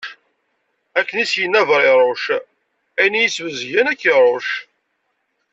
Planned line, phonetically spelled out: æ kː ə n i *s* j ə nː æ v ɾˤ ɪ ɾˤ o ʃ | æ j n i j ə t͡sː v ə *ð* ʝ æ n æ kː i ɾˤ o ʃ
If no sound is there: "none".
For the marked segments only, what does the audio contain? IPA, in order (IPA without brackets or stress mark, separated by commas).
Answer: s, z